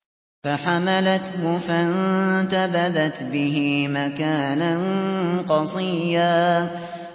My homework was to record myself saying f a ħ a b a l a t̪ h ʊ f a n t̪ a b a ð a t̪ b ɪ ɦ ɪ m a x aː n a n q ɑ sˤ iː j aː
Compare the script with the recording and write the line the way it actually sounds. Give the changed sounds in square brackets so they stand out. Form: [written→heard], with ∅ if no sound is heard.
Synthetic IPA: f a ħ a [b→m] a l a t̪ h ʊ f a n t̪ a b a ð a t̪ b ɪ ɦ ɪ m a [x→k] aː n a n q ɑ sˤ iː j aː